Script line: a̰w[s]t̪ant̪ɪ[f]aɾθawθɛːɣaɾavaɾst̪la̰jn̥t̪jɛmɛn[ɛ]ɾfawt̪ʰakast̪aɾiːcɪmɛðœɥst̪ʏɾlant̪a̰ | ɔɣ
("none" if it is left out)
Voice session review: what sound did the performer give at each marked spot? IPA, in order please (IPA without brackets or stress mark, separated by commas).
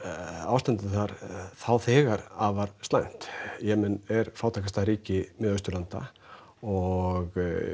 s, θ, ɛ